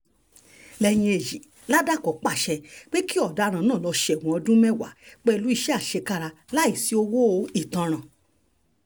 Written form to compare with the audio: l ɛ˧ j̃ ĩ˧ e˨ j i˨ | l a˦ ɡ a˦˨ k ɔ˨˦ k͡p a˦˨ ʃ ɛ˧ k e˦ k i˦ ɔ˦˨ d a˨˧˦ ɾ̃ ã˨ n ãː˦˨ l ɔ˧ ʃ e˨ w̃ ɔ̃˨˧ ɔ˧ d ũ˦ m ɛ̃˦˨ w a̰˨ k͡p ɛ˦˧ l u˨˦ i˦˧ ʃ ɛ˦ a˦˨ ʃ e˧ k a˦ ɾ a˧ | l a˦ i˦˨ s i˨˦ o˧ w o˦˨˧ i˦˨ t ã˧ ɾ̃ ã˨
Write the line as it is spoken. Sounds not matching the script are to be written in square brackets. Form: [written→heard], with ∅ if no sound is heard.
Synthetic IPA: l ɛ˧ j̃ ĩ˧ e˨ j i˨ | l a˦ [ɡ→d] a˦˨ k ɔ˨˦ k͡p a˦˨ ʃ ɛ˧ [k→k͡p] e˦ k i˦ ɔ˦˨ d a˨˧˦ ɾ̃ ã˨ n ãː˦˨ l ɔ˧ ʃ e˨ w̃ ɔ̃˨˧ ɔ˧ d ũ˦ m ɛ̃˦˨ w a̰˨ k͡p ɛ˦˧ l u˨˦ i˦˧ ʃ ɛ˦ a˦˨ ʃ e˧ k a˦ ɾ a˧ | l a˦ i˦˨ s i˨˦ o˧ w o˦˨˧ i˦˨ t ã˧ ɾ̃ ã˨